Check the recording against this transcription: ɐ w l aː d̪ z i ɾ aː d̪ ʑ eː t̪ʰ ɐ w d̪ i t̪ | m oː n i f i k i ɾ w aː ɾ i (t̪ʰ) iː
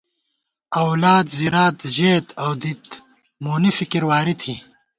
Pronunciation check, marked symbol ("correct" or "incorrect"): correct